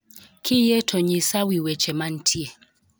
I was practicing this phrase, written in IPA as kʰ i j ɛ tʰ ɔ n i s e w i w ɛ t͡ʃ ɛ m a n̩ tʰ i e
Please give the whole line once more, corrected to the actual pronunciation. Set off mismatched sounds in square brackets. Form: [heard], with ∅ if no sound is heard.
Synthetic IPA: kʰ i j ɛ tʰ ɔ [ɲ] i s [a] w i w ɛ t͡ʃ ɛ m a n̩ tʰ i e